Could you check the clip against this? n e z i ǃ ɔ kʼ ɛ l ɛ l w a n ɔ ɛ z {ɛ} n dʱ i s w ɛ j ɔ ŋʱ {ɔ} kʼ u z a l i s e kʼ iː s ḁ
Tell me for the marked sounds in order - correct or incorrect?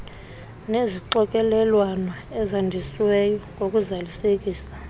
incorrect, incorrect

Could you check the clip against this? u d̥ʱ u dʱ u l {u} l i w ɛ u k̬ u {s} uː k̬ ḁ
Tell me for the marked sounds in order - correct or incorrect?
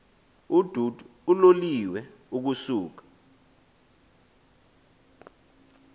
incorrect, correct

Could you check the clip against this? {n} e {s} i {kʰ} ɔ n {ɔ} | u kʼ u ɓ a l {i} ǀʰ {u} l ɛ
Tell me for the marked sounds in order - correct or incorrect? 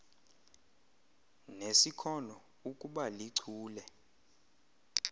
correct, correct, correct, correct, correct, incorrect

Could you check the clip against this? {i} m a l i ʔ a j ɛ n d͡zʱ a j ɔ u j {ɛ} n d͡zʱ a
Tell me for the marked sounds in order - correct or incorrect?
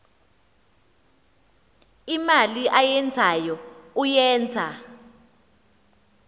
correct, incorrect

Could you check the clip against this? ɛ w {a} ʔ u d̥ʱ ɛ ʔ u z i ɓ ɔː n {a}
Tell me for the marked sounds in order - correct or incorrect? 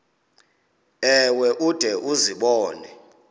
incorrect, incorrect

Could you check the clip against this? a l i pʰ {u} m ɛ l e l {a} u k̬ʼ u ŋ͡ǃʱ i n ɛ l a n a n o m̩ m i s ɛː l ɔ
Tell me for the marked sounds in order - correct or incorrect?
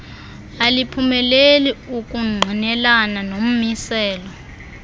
correct, incorrect

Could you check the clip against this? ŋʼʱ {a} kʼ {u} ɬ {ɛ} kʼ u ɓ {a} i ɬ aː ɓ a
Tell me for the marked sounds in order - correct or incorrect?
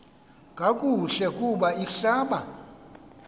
correct, correct, correct, correct

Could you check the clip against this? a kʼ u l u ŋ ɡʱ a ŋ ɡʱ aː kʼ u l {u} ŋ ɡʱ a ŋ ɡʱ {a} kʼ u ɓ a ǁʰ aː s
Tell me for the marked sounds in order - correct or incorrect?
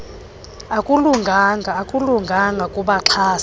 correct, correct

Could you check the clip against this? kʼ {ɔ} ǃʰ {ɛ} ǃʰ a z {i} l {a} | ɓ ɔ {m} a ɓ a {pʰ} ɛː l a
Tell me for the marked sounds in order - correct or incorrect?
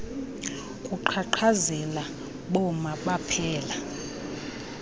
incorrect, incorrect, incorrect, correct, correct, correct

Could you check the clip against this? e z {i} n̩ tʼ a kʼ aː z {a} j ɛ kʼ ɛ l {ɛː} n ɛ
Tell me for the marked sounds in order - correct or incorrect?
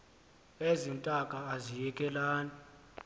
correct, incorrect, incorrect

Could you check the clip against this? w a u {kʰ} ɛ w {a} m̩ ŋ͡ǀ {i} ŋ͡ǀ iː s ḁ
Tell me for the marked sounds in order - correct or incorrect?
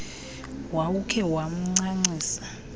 correct, correct, incorrect

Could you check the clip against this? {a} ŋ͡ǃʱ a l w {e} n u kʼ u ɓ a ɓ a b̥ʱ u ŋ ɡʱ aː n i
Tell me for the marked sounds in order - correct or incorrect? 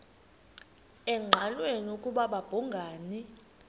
incorrect, correct

